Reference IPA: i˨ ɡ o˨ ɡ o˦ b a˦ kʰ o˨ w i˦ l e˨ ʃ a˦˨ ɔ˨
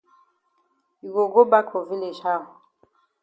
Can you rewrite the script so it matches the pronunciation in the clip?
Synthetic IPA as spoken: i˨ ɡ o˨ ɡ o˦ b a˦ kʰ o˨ v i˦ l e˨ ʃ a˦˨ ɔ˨